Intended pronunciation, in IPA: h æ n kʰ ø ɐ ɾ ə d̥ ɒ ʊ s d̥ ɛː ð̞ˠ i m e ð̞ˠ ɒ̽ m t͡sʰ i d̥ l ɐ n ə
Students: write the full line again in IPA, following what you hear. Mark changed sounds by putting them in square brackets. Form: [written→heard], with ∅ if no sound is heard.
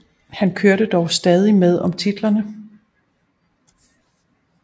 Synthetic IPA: h æ n kʰ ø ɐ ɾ ə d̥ ɒ ʊ s d̥ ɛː ð̞ˠ i m e ð̞ˠ ɒ̽ m t͡sʰ i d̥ l ɐ n ə